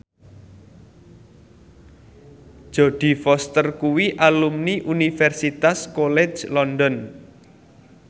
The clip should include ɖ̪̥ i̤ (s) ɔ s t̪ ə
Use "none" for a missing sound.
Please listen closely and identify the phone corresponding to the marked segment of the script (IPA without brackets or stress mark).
f